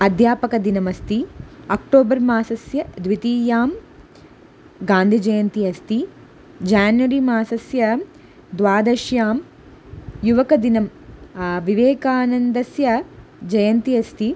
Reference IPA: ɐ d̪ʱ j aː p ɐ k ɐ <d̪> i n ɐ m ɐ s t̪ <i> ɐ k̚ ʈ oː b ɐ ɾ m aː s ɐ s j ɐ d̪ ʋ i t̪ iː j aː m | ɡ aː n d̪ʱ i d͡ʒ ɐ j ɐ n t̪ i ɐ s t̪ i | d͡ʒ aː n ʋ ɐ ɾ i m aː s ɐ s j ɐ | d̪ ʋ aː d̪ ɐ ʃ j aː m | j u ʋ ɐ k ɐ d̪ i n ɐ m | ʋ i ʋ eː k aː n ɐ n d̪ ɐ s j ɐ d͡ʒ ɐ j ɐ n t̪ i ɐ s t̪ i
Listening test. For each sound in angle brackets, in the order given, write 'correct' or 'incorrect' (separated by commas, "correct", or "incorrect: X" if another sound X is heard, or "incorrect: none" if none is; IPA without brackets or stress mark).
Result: correct, correct